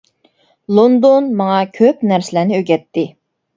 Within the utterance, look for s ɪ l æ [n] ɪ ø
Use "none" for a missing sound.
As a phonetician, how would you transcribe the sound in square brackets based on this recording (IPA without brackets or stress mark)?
n